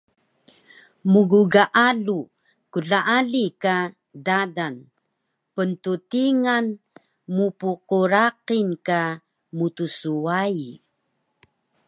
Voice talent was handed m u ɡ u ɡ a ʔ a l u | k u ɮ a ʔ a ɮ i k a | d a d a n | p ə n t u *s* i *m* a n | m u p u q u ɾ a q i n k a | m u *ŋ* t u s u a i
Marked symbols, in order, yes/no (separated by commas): no, no, no